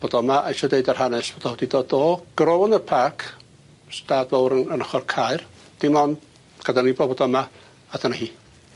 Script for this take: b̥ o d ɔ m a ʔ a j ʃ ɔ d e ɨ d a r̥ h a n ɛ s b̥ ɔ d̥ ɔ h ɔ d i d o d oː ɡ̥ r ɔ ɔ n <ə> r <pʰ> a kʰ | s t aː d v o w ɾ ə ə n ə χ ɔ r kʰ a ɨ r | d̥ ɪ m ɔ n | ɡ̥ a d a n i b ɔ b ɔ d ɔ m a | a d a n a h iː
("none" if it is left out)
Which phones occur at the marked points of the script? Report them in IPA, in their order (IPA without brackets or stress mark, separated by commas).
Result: ə, pʰ